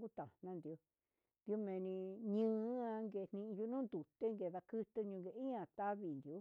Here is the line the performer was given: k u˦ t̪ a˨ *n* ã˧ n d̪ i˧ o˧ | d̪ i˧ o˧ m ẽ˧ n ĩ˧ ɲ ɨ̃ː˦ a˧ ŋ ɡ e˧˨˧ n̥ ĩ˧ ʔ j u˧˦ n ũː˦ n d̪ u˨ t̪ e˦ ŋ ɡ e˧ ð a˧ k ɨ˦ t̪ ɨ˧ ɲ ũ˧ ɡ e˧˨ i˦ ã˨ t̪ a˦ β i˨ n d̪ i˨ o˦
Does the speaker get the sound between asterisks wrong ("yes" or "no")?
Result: no